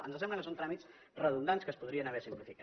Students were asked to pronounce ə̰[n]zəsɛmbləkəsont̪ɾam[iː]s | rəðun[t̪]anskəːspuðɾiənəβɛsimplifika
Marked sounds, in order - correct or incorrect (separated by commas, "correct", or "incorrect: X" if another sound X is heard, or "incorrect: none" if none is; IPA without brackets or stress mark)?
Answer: correct, incorrect: i, incorrect: d̪